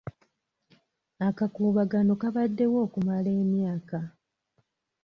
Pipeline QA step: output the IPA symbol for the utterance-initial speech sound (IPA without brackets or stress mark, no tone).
a